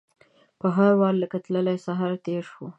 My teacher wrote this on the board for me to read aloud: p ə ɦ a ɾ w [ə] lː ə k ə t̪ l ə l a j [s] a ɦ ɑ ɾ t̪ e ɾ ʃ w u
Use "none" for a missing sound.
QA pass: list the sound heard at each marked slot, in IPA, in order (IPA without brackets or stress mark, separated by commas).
ɑ, s